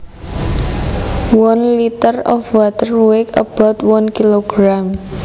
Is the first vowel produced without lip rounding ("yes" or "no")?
no